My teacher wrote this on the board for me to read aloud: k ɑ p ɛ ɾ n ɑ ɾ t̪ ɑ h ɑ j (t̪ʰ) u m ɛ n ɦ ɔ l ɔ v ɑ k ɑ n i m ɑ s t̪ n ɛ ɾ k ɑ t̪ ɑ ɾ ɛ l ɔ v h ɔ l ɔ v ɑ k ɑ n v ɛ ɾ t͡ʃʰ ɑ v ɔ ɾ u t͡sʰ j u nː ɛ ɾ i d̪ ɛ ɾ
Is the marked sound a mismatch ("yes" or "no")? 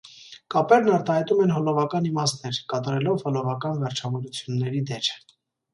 yes